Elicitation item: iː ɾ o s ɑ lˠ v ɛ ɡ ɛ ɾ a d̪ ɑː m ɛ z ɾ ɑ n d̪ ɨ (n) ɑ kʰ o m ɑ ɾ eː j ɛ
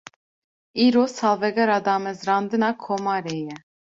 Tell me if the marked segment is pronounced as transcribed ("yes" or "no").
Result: yes